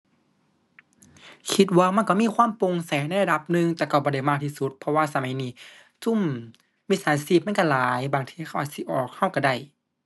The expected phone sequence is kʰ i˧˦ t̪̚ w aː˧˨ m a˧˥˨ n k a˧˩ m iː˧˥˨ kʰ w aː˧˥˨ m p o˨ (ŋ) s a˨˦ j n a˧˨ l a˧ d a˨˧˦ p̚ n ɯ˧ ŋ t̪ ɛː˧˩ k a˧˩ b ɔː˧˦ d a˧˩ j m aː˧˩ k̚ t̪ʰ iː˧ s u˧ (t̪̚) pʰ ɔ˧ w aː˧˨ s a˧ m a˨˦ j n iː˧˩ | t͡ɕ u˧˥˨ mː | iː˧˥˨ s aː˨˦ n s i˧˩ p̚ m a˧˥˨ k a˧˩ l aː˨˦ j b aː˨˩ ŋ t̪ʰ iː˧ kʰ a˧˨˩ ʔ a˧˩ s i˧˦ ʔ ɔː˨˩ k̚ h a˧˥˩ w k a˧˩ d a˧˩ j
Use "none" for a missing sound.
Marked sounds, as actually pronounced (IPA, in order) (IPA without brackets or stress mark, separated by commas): ŋ, t̪̚